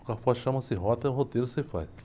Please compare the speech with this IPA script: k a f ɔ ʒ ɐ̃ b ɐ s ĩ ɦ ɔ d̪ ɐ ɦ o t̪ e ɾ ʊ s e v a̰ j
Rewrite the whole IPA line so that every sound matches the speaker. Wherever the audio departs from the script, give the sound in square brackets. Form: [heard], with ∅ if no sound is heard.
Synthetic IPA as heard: k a f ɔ [ʃ] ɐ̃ [m] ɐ s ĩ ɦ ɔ [t̪] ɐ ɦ o t̪ e ɾ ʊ s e [f] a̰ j